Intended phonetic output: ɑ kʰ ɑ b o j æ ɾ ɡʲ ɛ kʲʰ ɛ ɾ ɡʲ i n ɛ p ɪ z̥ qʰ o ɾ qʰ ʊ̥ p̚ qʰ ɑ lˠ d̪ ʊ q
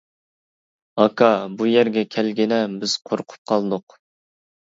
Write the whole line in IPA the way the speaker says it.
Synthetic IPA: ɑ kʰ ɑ b u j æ ɾ ɡʲ ɛ kʲʰ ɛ l ɡʲ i n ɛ b ɪ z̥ qʰ o ɾ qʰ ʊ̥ p̚ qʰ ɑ lˠ d̪ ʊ q